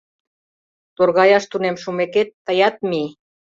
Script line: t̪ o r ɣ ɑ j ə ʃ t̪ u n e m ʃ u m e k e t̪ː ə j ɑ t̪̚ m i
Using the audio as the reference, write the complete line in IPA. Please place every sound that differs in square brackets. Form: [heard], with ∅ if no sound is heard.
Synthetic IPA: t̪ o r ɣ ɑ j [ɑ] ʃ t̪ u n e m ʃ u m e k e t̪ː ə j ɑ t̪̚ m i